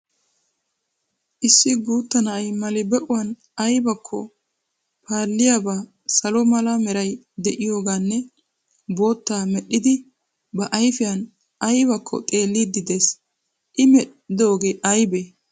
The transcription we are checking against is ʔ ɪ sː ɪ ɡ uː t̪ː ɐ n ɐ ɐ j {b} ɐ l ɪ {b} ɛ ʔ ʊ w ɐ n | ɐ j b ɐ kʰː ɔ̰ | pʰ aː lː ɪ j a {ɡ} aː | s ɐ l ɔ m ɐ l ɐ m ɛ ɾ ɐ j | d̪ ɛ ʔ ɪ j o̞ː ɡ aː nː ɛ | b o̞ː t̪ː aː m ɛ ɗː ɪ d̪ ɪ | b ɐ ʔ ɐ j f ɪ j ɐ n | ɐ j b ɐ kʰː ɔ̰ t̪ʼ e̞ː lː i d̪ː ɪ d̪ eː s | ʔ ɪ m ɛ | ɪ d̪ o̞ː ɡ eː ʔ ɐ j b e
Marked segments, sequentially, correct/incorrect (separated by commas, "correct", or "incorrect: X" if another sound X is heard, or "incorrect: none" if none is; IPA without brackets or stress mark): incorrect: m, correct, incorrect: b